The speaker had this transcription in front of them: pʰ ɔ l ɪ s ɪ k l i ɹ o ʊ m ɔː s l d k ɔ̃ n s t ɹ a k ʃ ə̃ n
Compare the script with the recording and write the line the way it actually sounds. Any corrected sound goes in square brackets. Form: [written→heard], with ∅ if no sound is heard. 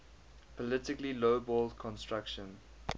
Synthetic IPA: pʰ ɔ l ɪ [s→t] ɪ k l i [ɹ→l] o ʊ [m→b] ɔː [s→∅] l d [k→kʰ] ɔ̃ n s t ɹ a k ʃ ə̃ n